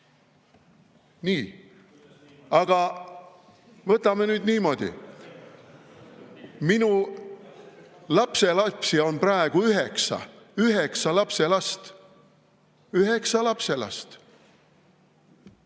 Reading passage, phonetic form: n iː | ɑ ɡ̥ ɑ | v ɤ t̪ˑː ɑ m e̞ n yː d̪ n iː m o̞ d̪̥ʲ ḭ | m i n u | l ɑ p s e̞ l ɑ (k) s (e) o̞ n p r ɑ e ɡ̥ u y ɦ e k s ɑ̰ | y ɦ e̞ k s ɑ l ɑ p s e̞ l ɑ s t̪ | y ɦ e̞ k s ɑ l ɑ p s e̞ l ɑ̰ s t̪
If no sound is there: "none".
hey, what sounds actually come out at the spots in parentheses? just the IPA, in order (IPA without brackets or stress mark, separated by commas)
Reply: p, i